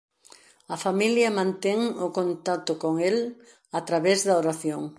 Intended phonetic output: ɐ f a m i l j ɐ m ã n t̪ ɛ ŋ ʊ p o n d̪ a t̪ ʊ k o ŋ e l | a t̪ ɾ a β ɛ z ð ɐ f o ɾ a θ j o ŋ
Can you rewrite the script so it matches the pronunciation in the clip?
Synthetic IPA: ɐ f a m i l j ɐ m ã n t̪ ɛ ŋ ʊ k o n t̪ a t̪ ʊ k o ŋ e l | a t̪ ɾ a β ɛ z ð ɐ o ɾ a θ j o ŋ